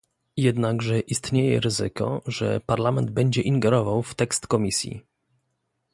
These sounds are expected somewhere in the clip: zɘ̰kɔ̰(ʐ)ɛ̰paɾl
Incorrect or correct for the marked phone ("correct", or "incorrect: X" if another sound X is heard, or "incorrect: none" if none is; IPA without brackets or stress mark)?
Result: correct